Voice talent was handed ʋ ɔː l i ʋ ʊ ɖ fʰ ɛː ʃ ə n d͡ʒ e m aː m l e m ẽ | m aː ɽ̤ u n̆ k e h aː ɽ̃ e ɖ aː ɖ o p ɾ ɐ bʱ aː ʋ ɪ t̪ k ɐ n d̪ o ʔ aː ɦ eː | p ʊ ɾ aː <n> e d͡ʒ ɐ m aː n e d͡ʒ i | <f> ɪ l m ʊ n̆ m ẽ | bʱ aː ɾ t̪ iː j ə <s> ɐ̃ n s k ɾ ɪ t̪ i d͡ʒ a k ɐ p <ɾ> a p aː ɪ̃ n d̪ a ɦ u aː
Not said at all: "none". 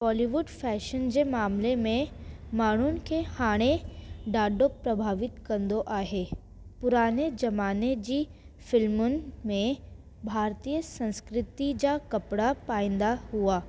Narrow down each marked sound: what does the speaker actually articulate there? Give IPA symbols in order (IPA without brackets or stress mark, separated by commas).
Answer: n, f, s, ɽ